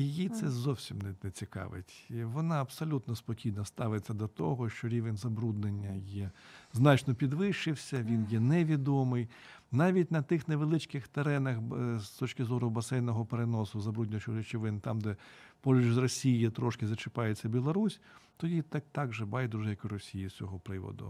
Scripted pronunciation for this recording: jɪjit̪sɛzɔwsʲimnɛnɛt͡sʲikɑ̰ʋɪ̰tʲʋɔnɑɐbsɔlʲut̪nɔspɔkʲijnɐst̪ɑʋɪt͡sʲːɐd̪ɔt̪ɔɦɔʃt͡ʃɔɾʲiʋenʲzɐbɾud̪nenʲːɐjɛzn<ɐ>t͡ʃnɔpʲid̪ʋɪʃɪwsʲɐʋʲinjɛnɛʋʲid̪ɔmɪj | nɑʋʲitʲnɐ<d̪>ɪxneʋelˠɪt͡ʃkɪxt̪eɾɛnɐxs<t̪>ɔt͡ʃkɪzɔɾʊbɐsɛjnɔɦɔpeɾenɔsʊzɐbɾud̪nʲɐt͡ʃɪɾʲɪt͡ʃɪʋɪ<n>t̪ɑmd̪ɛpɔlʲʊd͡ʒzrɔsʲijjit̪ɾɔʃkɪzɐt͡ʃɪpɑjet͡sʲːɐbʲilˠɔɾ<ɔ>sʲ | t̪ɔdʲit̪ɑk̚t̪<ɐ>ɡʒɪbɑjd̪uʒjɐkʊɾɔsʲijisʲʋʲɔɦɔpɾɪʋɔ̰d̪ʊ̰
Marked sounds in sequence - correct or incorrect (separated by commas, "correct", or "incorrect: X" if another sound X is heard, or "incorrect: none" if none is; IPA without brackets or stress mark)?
incorrect: ɑ, incorrect: t̪, correct, correct, incorrect: u, incorrect: ɑ